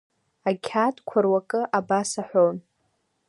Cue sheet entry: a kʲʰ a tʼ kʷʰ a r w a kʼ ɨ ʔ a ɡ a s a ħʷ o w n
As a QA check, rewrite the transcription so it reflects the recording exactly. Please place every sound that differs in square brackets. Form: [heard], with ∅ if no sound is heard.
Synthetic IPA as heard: a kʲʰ a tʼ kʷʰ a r w a kʼ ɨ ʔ a [b] a s a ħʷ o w n